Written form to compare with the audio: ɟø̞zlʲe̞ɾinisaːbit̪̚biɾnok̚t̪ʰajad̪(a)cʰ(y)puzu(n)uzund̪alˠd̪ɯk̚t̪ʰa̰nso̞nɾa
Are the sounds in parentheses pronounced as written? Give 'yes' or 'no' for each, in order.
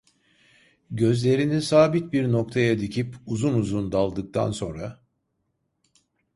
no, no, yes

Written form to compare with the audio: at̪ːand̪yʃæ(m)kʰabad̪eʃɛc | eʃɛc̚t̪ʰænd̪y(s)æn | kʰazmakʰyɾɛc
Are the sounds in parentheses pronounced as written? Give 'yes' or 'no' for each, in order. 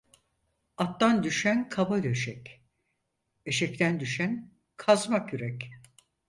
no, no

